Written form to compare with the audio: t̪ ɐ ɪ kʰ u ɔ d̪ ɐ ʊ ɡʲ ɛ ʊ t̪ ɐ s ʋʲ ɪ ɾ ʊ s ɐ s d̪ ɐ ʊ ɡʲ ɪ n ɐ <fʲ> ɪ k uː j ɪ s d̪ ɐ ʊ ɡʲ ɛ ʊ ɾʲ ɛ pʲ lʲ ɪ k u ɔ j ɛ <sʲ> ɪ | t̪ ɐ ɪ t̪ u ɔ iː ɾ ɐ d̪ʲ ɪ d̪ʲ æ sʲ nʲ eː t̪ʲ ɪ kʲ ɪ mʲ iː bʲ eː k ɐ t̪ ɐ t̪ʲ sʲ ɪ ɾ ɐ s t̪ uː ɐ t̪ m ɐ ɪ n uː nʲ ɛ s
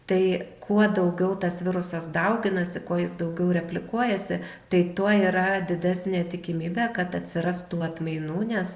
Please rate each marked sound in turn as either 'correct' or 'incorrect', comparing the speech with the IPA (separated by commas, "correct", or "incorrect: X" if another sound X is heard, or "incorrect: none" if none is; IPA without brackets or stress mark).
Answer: incorrect: sʲ, correct